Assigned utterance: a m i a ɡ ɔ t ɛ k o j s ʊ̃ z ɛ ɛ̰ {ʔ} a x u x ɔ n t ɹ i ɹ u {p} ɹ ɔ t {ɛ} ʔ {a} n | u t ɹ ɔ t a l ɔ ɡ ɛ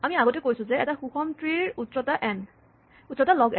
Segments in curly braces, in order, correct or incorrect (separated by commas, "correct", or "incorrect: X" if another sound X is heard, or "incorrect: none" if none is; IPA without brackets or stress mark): incorrect: t, incorrect: t, incorrect: a, incorrect: ɛ